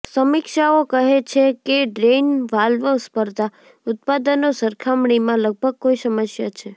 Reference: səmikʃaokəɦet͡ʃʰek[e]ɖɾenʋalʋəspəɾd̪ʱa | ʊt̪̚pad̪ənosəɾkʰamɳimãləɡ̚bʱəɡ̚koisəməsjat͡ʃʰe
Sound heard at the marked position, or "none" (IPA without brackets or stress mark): e